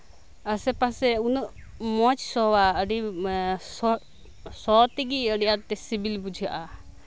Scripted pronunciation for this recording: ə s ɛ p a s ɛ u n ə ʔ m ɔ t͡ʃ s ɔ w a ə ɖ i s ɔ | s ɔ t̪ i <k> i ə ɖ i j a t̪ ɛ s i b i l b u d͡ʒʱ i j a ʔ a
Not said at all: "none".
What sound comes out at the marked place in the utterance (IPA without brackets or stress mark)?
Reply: ɡ